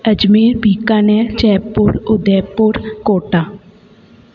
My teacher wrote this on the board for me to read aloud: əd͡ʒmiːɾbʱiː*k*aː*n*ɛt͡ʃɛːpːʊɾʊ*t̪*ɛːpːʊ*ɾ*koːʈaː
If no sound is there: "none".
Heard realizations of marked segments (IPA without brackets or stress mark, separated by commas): k, n, d̪, ɾ